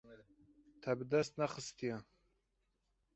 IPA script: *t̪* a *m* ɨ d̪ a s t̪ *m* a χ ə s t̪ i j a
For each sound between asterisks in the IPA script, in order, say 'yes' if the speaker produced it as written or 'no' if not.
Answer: no, no, no

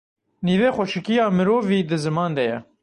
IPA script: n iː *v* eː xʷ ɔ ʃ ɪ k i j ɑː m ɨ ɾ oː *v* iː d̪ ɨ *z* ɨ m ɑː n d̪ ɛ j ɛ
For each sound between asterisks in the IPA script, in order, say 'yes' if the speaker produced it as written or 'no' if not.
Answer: yes, yes, yes

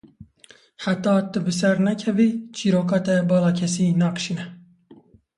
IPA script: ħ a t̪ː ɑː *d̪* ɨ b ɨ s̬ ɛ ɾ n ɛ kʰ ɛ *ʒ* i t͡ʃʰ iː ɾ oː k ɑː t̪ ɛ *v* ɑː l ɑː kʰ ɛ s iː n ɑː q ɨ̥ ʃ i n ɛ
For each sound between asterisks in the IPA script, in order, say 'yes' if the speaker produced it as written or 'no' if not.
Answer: no, no, no

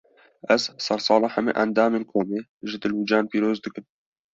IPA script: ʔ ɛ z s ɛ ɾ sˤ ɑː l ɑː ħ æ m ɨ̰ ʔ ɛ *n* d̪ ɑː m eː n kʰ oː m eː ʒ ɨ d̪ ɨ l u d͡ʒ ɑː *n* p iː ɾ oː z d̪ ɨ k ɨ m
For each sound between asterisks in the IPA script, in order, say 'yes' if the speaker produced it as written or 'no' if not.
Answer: yes, yes

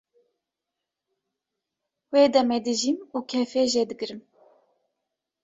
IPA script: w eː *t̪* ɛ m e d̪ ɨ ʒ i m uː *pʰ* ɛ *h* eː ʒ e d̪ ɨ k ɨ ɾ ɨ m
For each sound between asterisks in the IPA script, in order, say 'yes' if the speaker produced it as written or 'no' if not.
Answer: no, no, no

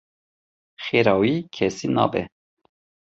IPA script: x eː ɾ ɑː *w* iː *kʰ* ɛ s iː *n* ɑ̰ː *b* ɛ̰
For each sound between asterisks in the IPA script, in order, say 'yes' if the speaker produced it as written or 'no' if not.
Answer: yes, yes, yes, yes

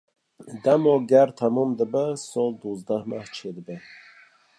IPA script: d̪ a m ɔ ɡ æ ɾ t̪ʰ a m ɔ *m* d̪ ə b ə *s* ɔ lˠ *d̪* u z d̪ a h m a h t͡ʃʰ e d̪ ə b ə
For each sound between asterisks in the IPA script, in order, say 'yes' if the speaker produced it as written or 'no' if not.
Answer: yes, yes, yes

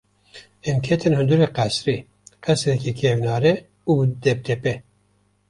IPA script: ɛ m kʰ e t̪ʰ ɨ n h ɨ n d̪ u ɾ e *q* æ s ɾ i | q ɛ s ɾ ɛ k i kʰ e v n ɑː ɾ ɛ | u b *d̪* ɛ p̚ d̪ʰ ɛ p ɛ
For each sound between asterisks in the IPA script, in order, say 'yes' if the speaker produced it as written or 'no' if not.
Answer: yes, yes

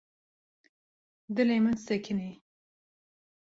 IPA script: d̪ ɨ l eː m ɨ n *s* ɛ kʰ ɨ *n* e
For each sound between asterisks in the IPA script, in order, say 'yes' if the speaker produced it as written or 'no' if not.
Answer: yes, yes

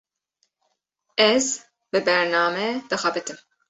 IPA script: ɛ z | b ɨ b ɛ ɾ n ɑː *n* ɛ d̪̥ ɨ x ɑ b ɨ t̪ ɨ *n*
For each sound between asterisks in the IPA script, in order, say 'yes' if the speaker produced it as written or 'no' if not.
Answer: no, no

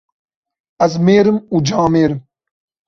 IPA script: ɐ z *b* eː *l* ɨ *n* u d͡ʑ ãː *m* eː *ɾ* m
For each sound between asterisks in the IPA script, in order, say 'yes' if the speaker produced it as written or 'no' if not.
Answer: no, no, no, yes, yes

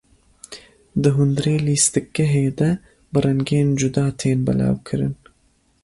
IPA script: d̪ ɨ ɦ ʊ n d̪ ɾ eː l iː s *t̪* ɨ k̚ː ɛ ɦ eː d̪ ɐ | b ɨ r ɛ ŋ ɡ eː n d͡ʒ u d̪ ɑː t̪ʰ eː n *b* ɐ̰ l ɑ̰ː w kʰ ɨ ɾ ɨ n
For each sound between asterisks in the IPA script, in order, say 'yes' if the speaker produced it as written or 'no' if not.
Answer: yes, yes

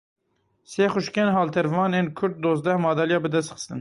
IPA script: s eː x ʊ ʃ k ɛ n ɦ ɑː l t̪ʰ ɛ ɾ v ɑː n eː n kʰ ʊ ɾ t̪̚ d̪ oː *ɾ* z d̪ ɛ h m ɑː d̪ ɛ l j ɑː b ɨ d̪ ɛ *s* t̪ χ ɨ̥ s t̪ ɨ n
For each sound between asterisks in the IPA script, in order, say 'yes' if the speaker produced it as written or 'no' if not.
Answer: no, yes

